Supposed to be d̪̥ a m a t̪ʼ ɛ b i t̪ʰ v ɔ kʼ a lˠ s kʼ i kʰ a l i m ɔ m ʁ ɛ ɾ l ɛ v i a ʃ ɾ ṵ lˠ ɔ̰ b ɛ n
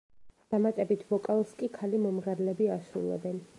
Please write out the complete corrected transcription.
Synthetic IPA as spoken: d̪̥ a m a t̪ʼ ɛ b i t̪ʰ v ɔ kʼ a lˠ s kʼ i kʰ a l i m ɔ m ʁ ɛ ɾ l ɛ b i a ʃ ɾ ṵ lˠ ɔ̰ b ɛ n

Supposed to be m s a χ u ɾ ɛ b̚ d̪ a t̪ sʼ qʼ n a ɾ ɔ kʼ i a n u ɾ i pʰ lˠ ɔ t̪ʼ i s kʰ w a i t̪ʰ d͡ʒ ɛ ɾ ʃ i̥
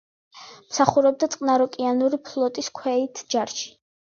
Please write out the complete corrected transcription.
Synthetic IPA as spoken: m s a χ u ɾ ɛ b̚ d̪ a t̪ sʼ qʼ n a ɾ ɔ kʼ i a n u ɾ i pʰ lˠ ɔ t̪ʼ i s kʰ w ɛ i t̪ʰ d͡ʒ a ɾ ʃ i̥

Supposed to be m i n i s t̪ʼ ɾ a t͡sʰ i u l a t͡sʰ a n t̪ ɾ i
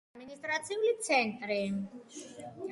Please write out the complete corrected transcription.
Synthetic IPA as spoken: m i n i s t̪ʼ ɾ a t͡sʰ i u l i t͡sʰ ɛ n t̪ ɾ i

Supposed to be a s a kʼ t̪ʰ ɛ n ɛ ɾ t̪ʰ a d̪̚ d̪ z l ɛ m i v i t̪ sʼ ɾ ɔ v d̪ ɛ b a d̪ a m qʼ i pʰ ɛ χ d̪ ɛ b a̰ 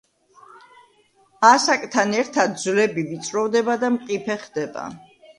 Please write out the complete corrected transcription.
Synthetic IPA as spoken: a s a kʼ t̪ʰ a n ɛ ɾ t̪ʰ a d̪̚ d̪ z l ɛ b i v i t̪ sʼ ɾ ɔ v d̪ ɛ b a d̪ a m qʼ i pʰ ɛ χ d̪ ɛ b a̰

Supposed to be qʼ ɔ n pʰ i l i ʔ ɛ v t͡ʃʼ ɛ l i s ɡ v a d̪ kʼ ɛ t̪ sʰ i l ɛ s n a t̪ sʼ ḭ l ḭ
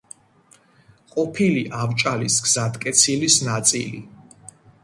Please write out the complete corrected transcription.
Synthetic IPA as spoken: qʼ ɔ pʰ i l i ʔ a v t͡ʃʼ a l i s ɡ z a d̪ kʼ ɛ t̪ sʰ i l i s n a t̪ sʼ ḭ l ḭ

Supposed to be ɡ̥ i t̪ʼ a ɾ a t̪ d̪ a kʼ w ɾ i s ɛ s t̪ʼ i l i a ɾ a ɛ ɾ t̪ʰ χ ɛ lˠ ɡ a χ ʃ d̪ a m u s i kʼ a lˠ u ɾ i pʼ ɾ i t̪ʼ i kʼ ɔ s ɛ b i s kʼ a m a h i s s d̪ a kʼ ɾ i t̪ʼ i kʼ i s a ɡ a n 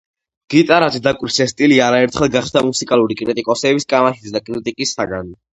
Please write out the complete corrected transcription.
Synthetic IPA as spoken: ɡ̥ i t̪ʼ a ɾ a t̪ d̪ a kʼ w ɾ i s ɛ s t̪ʼ i l i a ɾ a ɛ ɾ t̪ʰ χ ɛ lˠ ɡ a χ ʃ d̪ a m u s i kʼ a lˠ u ɾ i kʼ ɾ i t̪ʼ i kʼ ɔ s ɛ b i s kʼ a m a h i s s d̪ a kʼ ɾ i t̪ʼ i kʼ i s a ɡ a n

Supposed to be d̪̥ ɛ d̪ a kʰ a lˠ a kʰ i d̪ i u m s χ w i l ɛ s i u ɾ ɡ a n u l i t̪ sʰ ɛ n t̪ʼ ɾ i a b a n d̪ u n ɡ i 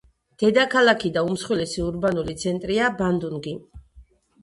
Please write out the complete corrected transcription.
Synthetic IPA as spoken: d̪̥ ɛ d̪ a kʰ a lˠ a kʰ i d̪ a u m s χ w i l ɛ s i u ɾ b a n u l i t̪ sʰ ɛ n t̪ʼ ɾ i a b a n d̪ u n ɡ i

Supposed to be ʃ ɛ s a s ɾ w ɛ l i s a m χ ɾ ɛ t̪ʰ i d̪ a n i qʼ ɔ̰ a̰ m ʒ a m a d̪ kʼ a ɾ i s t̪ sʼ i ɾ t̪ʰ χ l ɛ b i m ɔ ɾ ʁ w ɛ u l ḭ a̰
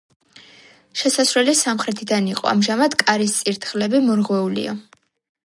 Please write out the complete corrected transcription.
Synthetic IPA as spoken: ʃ ɛ s a s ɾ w ɛ l i s a m χ ɾ ɛ t̪ʰ i d̪ a n i qʼ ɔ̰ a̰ m ʒ a m a d̪ kʼ a ɾ i s t̪ sʼ i ɾ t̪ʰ χ l ɛ b i m ɔ ɾ ʁ w ɛ u l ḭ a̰

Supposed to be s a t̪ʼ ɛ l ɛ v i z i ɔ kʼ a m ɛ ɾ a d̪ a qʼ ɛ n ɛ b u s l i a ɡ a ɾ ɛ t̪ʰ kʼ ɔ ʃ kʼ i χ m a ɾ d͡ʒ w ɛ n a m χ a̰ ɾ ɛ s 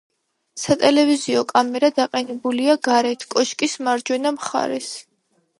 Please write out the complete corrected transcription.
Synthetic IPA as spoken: s a t̪ʼ ɛ l ɛ v i z i ɔ kʼ a m ɛ ɾ a d̪ a qʼ ɛ n ɛ b u l i a ɡ a ɾ ɛ t̪ʰ kʼ ɔ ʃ kʼ i s m a ɾ d͡ʒ w ɛ n a m χ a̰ ɾ ɛ s

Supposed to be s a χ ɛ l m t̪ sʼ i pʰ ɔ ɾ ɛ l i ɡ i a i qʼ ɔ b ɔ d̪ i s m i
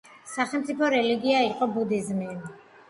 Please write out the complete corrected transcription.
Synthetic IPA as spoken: s a χ ɛ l m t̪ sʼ i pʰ ɔ ɾ ɛ l i ɡ i a i qʼ ɔ b u d̪ i z m i

